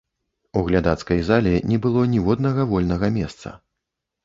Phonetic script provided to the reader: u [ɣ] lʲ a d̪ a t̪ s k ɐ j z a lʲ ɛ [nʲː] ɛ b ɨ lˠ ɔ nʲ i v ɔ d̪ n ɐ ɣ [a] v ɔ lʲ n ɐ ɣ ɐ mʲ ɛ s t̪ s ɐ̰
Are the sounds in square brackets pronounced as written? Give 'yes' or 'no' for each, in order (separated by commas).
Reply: yes, no, no